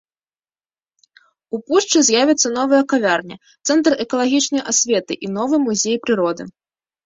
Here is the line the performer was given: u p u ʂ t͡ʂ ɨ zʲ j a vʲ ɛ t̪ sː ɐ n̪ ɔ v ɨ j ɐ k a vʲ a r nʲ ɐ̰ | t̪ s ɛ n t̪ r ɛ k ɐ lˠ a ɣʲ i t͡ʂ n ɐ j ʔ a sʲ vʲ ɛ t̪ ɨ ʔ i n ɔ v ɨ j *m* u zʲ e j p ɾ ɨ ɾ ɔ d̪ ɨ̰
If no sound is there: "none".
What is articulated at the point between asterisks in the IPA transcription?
m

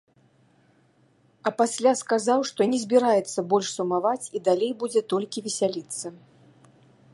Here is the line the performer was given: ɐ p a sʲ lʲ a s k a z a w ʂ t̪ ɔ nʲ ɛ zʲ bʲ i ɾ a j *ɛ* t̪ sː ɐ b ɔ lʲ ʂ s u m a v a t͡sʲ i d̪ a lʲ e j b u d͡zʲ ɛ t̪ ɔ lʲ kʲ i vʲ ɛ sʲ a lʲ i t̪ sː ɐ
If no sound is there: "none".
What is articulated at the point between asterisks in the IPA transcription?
ɛ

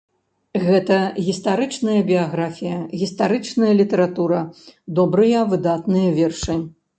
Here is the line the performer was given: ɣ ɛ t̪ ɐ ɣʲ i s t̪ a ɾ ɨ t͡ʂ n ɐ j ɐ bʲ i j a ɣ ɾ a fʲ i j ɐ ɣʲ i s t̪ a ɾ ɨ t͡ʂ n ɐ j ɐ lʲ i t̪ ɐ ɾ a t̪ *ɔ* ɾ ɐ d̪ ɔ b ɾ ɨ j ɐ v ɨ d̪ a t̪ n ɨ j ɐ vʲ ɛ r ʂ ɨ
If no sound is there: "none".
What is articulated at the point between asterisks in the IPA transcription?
u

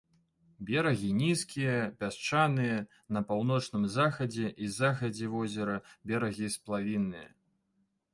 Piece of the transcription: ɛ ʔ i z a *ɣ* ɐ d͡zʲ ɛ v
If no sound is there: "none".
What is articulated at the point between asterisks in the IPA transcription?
x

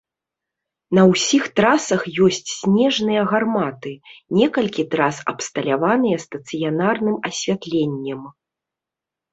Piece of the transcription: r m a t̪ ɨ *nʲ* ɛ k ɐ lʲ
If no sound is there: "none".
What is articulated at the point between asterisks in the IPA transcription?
nʲ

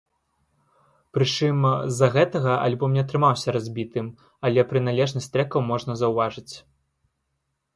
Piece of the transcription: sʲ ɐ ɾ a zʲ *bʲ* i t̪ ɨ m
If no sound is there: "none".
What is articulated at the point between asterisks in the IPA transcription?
bʲ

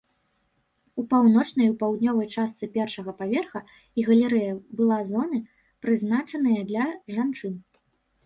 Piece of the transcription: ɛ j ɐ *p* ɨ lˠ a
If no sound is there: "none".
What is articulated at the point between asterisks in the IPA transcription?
b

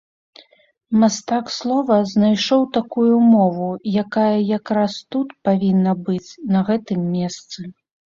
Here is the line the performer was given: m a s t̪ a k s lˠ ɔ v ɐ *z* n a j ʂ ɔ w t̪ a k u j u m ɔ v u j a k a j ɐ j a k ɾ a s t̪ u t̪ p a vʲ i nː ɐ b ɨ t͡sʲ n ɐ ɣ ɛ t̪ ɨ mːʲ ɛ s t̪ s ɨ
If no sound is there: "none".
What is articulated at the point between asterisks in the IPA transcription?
z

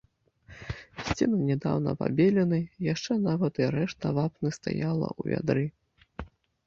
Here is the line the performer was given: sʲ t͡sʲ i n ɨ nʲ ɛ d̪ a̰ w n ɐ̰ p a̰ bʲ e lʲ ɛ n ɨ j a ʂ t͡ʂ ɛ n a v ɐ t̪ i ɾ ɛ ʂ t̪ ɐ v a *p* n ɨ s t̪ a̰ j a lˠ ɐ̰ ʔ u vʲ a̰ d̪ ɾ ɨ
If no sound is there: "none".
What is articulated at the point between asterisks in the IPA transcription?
p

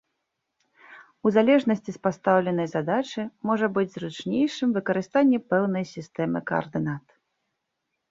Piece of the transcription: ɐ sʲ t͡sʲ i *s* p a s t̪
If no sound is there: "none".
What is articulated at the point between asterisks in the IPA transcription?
s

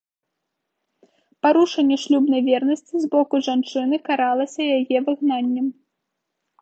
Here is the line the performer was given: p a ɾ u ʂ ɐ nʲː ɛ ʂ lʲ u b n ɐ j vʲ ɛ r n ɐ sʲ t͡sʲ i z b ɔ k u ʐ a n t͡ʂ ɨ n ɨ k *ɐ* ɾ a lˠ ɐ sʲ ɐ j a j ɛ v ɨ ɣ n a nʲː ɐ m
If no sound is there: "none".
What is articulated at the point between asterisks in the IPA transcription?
a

